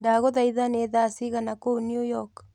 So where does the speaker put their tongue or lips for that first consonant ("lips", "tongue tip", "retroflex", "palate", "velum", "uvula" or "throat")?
tongue tip